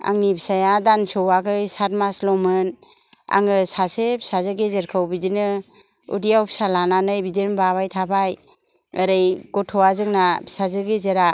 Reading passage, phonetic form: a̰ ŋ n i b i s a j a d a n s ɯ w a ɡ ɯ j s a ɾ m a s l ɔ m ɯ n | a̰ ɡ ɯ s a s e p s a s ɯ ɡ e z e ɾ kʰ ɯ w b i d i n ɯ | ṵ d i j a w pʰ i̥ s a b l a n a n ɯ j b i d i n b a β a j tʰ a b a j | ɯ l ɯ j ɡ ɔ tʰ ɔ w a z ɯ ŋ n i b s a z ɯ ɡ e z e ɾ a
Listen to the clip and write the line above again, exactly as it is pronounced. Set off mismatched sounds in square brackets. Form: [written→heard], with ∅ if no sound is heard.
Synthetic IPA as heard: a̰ ŋ n i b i s a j a d a n s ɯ w a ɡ ɯ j s a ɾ m a s l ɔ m ɯ n | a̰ [ɡ→ŋ] ɯ s a s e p s a [s→z] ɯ ɡ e z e ɾ kʰ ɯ w b i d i n ɯ | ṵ d i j a w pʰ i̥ s a [b→∅] l a n a n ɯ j b i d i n b a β a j tʰ a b a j | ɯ [l→ɾ] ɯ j ɡ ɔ tʰ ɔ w a z ɯ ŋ n [i→a] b s a z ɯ ɡ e z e ɾ a